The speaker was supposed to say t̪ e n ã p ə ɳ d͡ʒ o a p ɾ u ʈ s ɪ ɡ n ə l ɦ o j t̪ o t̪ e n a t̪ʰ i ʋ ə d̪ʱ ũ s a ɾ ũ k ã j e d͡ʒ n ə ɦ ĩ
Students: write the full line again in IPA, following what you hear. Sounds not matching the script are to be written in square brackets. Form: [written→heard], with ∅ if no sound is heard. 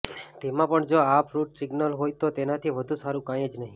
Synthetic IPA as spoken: t̪ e [n→m] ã p ə ɳ d͡ʒ o a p ɾ u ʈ s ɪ ɡ n ə l ɦ o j t̪ o t̪ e n a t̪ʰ i ʋ ə d̪ʱ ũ s a ɾ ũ k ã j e d͡ʒ n ə ɦ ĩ